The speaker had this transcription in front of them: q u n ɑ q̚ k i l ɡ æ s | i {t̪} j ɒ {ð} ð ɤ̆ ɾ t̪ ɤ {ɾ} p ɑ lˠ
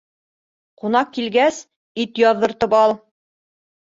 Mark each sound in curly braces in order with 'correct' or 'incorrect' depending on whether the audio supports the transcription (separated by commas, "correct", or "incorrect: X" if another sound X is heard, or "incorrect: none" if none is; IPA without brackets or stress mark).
correct, correct, incorrect: none